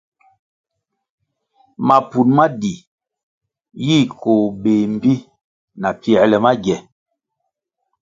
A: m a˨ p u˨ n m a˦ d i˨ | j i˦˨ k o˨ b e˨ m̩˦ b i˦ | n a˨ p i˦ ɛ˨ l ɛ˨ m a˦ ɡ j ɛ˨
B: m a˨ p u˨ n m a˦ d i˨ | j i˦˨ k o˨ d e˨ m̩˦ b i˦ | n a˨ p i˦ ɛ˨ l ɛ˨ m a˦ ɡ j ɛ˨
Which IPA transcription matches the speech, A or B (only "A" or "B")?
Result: A